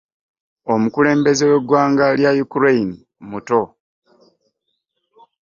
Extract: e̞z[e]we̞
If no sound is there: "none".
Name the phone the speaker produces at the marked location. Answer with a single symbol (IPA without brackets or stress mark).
e